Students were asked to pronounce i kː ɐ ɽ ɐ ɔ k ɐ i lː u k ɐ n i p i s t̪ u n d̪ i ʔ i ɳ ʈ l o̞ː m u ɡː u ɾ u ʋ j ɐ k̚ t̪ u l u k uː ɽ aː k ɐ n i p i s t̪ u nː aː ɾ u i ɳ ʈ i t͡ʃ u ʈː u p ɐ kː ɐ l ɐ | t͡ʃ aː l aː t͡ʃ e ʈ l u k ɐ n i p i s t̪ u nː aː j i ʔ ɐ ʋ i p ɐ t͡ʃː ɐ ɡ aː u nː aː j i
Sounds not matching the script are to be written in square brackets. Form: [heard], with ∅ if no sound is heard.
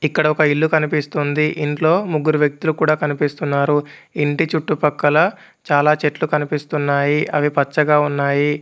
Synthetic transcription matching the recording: i kː ɐ ɽ ɐ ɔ k ɐ i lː u k ɐ n i p i s t̪ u n d̪ i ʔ i ɳ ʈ l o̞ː m u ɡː u ɾ u ʋ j ɐ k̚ t̪ u l u k uː ɽ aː k ɐ n i p i s t̪ u nː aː ɾ u i ɳ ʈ i t͡ʃ u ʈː u p ɐ kː ɐ l ɐ | t͡ʃ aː l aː t͡ʃ e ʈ l u k ɐ n i p i s t̪ u nː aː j i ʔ ɐ ʋ i p ɐ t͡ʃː ɐ ɡ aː u nː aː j i